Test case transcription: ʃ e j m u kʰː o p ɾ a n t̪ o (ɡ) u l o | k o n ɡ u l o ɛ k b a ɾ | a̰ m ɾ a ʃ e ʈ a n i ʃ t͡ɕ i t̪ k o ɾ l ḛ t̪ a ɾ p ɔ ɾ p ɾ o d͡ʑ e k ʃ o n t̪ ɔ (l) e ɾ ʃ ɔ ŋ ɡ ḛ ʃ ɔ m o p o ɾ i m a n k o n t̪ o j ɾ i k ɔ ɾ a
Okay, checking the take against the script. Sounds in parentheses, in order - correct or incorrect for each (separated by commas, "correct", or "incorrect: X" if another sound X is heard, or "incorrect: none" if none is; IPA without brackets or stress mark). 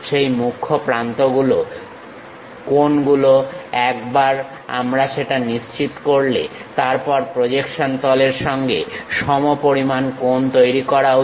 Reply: correct, correct